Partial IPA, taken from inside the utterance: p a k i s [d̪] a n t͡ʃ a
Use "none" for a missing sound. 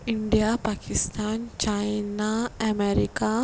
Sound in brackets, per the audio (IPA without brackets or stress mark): t̪